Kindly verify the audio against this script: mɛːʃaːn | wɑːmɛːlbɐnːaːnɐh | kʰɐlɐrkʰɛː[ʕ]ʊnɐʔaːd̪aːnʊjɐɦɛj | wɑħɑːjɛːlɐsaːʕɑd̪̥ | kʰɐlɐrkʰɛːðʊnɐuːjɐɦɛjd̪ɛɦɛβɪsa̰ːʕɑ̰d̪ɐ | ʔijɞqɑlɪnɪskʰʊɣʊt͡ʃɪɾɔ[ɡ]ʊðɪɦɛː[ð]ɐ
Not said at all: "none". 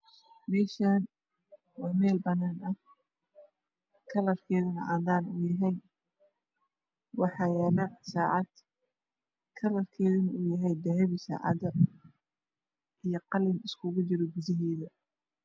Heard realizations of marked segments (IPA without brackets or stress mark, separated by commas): ð, ɡ, ð